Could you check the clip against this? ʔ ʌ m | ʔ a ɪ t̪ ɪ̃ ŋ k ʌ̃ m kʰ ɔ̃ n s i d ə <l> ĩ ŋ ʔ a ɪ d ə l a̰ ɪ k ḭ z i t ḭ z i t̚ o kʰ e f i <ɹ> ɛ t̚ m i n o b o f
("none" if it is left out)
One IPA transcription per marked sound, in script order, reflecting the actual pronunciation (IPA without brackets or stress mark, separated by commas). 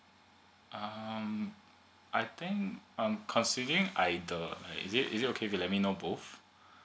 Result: ɹ, l